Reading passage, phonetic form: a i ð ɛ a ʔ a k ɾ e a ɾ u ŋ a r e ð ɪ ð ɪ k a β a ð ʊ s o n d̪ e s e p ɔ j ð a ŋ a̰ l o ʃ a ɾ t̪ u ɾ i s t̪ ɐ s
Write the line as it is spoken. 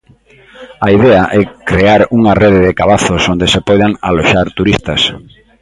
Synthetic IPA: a i ð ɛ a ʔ ɛ k ɾ e a ɾ u ŋ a r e ð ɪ ð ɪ k a β a θ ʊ s o n d̪ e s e p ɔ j ð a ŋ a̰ l o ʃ a ɾ t̪ u ɾ i s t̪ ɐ s